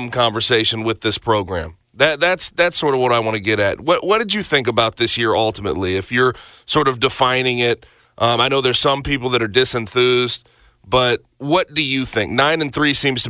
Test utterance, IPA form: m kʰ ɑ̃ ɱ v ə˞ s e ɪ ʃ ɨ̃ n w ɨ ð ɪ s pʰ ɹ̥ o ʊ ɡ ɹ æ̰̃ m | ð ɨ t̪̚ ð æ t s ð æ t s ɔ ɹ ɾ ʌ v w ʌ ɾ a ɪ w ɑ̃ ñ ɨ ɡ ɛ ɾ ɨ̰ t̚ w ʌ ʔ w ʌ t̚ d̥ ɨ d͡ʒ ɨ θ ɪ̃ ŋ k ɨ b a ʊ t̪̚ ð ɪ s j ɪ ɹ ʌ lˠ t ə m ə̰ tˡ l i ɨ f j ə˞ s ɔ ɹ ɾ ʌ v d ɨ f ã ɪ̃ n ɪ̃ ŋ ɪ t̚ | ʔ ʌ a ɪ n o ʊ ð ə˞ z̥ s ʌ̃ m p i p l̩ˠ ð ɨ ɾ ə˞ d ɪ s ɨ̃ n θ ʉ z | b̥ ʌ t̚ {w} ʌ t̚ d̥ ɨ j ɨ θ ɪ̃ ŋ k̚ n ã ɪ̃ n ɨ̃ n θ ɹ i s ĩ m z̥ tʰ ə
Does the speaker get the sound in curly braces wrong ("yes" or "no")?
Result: no